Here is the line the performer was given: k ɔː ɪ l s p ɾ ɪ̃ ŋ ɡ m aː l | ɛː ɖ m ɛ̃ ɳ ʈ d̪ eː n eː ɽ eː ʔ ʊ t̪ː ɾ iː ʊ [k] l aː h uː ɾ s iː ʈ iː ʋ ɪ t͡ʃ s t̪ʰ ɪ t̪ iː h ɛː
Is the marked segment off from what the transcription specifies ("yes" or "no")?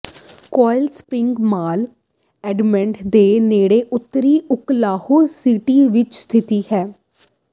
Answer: no